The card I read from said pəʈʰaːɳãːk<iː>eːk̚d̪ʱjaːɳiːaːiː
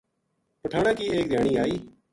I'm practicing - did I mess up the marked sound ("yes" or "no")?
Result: no